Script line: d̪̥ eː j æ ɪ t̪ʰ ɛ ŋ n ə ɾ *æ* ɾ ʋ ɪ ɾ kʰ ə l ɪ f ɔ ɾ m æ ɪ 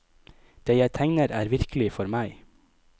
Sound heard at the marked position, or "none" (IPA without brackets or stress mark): æː